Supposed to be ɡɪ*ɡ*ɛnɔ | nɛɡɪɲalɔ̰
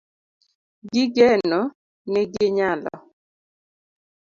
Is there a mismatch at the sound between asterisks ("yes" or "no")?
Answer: no